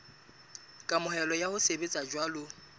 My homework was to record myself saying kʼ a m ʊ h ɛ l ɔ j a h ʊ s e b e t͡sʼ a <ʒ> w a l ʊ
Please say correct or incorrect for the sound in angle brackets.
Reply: incorrect: d͡ʒ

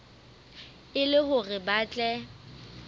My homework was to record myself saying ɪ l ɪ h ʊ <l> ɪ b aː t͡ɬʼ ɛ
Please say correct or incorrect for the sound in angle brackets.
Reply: incorrect: r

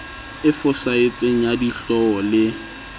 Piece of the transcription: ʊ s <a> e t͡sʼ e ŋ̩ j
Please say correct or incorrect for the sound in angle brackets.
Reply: correct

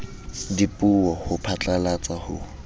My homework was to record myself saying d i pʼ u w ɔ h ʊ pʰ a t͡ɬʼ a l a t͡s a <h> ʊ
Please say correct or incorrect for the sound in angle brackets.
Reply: correct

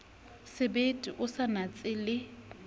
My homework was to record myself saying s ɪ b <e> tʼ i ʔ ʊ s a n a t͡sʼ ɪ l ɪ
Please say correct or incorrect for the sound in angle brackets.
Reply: correct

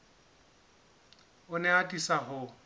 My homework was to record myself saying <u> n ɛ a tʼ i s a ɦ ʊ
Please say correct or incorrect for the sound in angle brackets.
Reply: incorrect: ʊ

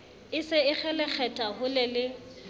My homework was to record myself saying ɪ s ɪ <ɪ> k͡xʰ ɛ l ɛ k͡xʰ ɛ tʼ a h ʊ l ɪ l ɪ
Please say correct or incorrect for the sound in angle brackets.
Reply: correct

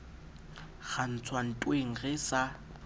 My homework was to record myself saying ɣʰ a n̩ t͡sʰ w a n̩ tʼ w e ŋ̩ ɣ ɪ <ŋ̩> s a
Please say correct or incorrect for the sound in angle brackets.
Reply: incorrect: none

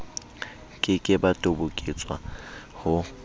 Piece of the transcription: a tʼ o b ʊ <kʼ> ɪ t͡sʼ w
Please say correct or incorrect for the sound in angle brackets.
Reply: correct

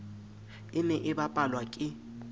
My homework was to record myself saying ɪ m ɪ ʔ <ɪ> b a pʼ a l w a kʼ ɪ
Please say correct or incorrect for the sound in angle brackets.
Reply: correct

